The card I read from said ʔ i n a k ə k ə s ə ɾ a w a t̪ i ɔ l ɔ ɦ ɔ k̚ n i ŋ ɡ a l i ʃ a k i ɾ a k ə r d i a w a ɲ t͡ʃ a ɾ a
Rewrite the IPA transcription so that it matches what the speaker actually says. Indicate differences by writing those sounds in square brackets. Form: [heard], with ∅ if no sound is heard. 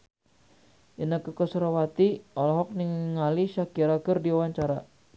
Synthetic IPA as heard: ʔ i n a k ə k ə s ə ɾ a w a t̪ i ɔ l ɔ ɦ ɔ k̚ n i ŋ [ŋ] a l i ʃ a k i ɾ a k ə r d i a w a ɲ t͡ʃ a ɾ a